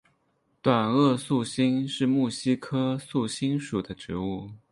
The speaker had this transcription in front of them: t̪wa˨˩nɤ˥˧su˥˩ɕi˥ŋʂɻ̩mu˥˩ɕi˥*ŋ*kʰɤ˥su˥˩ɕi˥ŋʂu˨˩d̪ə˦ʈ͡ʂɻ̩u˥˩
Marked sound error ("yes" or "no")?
yes